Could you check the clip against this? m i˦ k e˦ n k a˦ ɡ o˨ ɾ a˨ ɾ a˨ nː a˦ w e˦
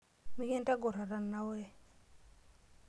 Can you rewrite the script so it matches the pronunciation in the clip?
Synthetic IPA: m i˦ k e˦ n t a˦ ɡ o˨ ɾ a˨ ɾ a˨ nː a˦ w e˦

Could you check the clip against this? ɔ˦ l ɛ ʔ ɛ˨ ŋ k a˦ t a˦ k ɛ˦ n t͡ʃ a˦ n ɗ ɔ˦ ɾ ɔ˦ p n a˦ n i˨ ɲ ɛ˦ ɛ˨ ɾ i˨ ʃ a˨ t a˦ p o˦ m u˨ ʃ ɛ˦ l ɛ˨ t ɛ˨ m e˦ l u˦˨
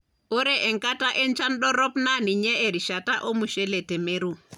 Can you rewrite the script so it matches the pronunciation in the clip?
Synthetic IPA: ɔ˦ ɾ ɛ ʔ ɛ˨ ŋ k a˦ t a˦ ʔ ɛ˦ n t͡ʃ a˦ n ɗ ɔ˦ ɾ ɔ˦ p n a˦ n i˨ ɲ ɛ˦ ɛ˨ ɾ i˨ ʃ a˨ t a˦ ʔ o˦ m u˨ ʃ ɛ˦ l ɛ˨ t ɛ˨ m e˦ ɾ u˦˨

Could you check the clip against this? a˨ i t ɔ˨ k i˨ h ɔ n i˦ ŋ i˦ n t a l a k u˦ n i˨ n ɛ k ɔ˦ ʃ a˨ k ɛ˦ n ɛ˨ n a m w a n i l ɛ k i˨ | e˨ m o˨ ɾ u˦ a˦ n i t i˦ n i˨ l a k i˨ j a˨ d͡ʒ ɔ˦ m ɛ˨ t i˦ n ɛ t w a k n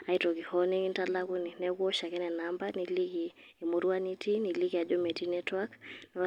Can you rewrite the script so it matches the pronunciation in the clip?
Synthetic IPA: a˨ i t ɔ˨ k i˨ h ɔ n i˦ ŋ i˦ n t a l a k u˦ n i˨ n ɛ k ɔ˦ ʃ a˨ k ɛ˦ n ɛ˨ n a m b a n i l i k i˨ | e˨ m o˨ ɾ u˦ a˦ n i t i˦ n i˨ l i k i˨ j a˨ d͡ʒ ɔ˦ m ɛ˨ t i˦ n ɛ t w a k n

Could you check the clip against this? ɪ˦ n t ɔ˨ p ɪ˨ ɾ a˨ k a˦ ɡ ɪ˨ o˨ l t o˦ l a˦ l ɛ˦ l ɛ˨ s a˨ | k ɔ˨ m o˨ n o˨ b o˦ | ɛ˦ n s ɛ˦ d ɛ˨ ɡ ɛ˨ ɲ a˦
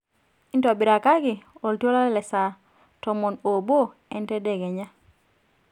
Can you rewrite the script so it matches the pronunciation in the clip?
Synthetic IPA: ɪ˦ n t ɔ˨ b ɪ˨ ɾ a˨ k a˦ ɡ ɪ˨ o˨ l t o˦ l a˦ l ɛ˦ l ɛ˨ s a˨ | t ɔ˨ m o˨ n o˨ b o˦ | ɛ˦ n t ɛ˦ d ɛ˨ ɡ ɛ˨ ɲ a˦

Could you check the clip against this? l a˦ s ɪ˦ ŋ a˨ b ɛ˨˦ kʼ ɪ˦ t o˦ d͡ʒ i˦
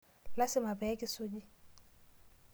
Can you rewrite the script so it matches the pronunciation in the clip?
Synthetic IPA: l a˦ s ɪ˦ m a˨ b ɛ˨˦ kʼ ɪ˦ s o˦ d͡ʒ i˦

